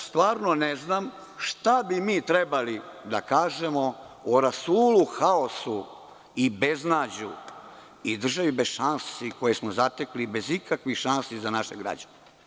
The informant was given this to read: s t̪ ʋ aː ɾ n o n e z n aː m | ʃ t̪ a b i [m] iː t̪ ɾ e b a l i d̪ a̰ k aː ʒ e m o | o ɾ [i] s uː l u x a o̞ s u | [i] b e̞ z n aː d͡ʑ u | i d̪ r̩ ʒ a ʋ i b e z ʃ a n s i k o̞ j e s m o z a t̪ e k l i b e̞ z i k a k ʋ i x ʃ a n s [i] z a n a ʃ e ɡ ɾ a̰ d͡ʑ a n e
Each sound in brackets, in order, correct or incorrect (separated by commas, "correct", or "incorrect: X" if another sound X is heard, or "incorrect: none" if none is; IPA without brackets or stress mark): correct, incorrect: a, correct, correct